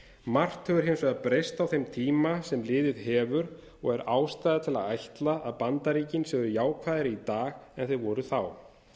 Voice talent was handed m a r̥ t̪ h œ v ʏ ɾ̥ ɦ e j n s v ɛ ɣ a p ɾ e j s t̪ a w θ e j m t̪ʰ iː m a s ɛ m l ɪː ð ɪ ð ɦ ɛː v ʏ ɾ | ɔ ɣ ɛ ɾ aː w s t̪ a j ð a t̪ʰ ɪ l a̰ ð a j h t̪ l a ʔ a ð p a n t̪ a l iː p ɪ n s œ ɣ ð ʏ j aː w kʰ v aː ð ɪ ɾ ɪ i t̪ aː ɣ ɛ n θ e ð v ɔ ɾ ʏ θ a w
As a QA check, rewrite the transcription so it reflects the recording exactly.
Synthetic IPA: m a r̥ t̪ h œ v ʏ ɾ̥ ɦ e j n s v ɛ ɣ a p ɾ e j s t̪ a w θ e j m t̪ʰ iː m a s ɛ m l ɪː ð ɪ ð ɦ ɛː v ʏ ɾ | ɔ ɣ ɛ ɾ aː w s t̪ a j ð a t̪ʰ ɪ l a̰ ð a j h t̪ l a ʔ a ð p a n t̪ a ɾ iː c ɪ n s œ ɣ ð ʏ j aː w kʰ v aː ð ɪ ɾ ɪ i t̪ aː ɣ ɛ n θ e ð v ɔ ɾ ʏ θ a w